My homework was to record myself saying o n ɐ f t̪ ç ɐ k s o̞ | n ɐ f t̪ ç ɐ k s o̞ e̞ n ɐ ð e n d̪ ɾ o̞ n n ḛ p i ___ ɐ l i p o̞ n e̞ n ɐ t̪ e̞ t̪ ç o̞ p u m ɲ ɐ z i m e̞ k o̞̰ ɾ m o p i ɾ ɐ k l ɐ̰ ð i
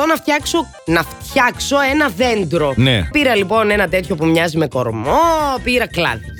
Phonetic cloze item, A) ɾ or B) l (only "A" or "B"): A